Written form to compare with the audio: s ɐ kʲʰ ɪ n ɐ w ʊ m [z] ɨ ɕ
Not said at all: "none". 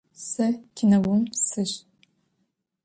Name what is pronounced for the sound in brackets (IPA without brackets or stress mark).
s